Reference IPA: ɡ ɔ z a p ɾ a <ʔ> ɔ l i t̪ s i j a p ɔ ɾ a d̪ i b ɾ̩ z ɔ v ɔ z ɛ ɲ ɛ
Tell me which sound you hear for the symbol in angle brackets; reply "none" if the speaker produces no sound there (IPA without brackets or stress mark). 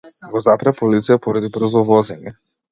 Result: p